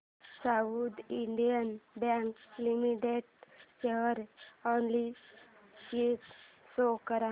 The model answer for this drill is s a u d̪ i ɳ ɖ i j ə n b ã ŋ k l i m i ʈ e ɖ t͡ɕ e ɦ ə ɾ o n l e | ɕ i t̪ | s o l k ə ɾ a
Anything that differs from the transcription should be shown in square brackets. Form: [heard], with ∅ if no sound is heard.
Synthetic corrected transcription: s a u d̪ i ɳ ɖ i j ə n b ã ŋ k l i m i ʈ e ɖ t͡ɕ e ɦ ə ɾ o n l [i] | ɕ i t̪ | s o [∅] k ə ɾ a